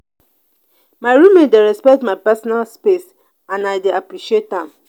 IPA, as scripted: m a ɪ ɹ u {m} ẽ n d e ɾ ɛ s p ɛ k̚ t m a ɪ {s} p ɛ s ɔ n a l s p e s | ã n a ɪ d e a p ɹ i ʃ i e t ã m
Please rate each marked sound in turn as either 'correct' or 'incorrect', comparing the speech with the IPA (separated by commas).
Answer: correct, incorrect